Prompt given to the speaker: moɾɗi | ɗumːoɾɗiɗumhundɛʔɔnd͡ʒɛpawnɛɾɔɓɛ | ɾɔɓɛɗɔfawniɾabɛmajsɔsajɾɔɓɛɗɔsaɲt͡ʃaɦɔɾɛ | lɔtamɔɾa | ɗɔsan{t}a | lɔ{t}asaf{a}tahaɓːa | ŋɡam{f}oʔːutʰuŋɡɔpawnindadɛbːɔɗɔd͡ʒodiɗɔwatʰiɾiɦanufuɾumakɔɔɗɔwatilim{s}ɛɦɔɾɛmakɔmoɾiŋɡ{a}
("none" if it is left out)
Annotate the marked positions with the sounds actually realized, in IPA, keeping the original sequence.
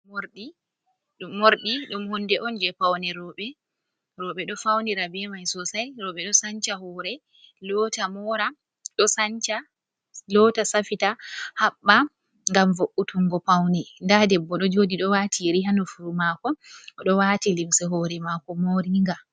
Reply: t͡ʃ, t, i, v, s, a

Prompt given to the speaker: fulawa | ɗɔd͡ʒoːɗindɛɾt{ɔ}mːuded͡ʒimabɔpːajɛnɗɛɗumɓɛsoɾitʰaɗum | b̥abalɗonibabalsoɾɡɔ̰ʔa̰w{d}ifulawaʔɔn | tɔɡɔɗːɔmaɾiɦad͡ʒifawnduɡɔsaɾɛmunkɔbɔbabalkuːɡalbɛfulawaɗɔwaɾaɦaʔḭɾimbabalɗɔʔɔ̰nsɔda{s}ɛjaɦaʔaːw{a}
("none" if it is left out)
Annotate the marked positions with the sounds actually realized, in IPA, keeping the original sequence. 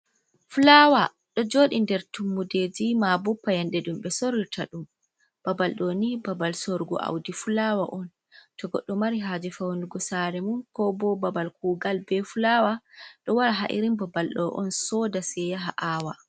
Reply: u, d, s, a

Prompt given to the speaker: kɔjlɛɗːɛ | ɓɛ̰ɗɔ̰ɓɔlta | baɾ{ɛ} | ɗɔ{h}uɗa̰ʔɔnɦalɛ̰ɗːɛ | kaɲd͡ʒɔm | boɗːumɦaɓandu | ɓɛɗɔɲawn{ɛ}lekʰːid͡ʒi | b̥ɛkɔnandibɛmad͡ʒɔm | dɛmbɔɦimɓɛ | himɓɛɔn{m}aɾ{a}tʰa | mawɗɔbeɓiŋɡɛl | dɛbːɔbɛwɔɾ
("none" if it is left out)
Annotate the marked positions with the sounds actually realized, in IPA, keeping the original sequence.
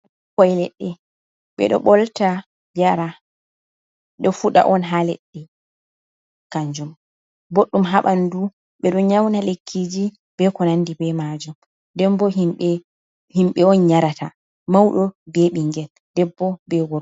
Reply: a, f, a, ɲ, a

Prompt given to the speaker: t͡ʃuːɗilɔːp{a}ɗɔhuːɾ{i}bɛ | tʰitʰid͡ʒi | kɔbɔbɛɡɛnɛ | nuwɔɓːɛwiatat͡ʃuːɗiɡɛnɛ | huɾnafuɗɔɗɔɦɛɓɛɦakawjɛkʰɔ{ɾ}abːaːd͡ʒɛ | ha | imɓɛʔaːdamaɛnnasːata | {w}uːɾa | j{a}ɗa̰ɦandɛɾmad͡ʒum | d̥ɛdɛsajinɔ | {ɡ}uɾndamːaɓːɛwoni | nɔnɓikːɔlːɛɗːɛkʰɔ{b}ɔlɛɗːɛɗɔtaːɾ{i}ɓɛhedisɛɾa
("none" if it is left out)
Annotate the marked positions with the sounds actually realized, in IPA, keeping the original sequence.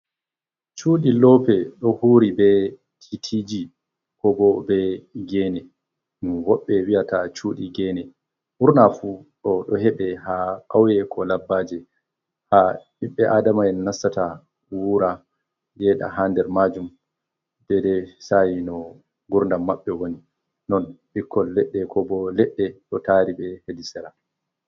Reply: ɛ, i, l, w, ɛ, ɡ, b, i

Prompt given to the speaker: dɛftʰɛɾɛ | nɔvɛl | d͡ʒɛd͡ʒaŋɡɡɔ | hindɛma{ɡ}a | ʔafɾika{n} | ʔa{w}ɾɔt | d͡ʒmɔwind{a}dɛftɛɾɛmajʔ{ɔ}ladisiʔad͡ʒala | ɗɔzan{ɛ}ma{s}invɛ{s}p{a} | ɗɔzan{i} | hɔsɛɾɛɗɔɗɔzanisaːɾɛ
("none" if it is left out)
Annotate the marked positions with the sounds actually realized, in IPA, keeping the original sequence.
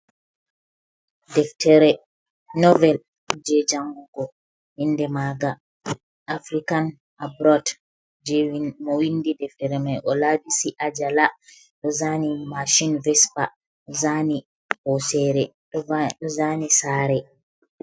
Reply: ɡ, n, b, i, ɔ, i, ʃ, s, a, i

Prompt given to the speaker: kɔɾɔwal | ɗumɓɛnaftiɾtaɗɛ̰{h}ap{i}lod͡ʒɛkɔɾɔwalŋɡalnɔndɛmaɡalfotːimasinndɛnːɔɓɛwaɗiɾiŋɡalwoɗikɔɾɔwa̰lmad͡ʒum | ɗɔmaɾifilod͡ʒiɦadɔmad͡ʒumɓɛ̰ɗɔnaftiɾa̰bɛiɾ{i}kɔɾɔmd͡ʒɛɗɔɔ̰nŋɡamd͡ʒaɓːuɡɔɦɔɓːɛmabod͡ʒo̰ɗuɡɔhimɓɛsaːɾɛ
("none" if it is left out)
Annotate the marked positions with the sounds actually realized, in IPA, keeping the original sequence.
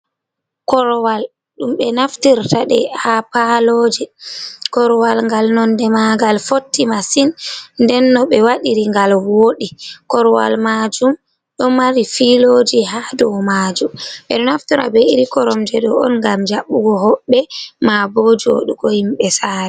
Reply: h, a, i

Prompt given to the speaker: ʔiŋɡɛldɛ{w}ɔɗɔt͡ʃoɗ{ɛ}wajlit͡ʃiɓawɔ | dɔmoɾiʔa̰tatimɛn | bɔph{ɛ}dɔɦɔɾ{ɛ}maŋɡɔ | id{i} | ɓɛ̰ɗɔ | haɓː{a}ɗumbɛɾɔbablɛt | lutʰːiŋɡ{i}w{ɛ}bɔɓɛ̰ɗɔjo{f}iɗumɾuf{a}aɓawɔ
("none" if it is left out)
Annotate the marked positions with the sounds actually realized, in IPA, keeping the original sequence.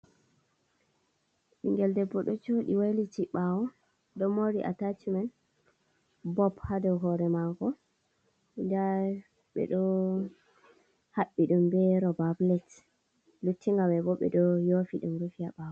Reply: b, i, a, ɛ, a, i, a, ɛ, f, i

